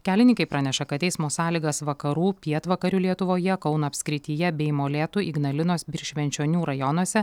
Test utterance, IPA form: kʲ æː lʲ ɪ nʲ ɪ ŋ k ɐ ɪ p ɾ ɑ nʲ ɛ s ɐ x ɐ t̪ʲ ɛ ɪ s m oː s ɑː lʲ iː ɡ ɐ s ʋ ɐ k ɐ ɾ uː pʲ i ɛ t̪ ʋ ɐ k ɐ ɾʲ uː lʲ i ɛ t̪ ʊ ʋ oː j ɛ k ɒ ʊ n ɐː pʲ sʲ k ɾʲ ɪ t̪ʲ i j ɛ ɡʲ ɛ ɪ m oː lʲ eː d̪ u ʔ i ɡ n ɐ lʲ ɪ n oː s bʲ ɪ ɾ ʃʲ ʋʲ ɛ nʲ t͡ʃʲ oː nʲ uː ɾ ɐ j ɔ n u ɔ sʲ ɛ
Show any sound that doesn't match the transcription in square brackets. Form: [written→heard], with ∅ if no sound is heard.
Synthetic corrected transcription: kʲ æː lʲ ɪ nʲ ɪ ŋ k ɐ ɪ p ɾ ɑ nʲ ɛ [s→ʃ] ɐ [x→k] ɐ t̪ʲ ɛ ɪ s m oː s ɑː lʲ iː ɡ ɐ s ʋ ɐ k ɐ ɾ uː pʲ i ɛ t̪ ʋ ɐ k ɐ ɾʲ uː lʲ i ɛ t̪ ʊ ʋ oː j ɛ k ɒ ʊ n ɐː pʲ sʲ k ɾʲ ɪ t̪ʲ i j ɛ [ɡʲ→bʲ] ɛ ɪ m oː lʲ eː [d̪→t̪] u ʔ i ɡ n ɐ lʲ ɪ n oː s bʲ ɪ ɾ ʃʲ ʋʲ ɛ nʲ t͡ʃʲ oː nʲ uː ɾ ɐ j ɔ n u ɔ sʲ ɛ